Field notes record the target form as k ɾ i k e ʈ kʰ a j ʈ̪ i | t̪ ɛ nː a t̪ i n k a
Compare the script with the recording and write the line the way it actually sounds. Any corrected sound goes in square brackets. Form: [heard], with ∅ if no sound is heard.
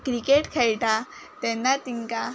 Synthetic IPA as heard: k ɾ i k e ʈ kʰ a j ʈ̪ [a] | t̪ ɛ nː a t̪ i [ŋ] k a